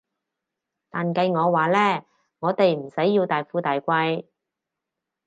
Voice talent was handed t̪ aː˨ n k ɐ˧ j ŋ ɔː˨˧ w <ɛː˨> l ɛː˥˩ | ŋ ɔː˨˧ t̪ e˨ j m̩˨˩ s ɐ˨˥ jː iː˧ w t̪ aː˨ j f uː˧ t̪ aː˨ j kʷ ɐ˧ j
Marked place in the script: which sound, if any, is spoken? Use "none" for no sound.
aː˨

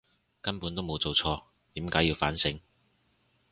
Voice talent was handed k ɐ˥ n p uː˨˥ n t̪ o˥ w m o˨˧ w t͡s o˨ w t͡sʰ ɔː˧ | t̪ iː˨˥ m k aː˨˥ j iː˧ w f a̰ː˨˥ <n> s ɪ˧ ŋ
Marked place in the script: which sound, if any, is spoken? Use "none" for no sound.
n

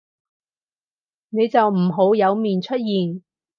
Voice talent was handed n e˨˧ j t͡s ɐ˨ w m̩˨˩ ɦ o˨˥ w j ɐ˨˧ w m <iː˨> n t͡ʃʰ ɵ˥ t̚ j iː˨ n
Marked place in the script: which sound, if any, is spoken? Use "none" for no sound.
iː˨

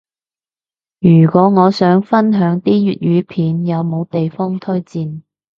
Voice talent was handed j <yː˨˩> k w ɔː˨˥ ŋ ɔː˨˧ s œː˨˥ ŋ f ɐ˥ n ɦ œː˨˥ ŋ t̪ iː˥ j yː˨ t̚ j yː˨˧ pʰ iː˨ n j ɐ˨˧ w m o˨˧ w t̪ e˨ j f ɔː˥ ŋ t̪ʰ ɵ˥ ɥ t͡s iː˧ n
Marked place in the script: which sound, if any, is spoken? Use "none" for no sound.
yː˨˩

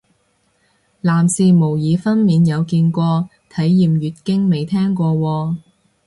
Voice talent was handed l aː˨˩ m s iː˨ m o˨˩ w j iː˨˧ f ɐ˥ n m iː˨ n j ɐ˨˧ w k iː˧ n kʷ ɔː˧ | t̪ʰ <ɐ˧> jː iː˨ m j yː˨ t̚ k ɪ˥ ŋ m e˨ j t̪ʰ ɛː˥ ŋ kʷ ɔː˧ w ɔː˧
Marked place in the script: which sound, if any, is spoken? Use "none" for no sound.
ɐ˨˥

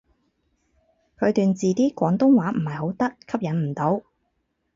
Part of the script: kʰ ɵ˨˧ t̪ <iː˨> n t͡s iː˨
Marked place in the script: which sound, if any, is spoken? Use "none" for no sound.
yː˨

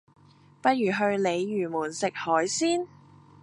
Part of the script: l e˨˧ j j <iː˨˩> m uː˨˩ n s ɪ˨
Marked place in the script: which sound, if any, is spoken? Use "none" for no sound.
yː˨˩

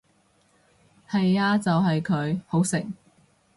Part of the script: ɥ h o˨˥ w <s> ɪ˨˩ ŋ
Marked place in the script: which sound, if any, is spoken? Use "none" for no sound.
s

